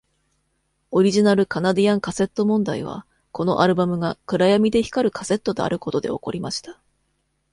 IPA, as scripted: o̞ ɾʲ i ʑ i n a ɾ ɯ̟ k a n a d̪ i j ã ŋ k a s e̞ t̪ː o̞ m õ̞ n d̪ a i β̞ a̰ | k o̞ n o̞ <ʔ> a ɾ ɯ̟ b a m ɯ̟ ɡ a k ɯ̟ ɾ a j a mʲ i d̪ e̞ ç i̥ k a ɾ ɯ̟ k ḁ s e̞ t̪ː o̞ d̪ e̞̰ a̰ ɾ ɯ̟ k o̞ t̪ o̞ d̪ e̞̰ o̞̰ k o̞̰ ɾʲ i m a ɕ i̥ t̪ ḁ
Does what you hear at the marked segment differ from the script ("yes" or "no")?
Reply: no